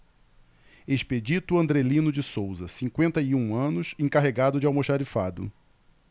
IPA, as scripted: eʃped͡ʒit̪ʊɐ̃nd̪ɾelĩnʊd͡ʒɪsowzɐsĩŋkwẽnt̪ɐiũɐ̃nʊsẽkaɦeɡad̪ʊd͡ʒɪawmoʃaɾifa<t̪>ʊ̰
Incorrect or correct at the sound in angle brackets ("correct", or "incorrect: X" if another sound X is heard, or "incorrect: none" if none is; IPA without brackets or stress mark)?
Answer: incorrect: d̪